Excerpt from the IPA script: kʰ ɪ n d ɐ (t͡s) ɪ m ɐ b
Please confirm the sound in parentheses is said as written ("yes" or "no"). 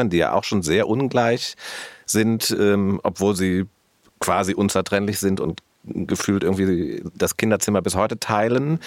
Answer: yes